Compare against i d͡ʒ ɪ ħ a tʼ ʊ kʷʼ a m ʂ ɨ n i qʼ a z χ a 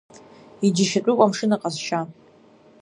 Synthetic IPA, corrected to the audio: i d͡ʒ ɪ ʃ a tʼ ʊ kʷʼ a m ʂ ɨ n a qʼ a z ʃ a